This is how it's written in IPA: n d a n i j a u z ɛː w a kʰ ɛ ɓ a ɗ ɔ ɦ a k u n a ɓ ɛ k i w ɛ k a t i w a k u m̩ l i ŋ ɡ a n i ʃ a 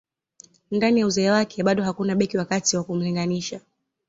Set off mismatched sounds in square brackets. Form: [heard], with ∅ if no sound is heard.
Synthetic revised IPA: n d a n i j a u z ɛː w a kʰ ɛ ɓ a ɗ ɔ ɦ a k u n a ɓ ɛ k i w [a] k a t i w a k u m̩ l i ŋ ɡ a n i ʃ a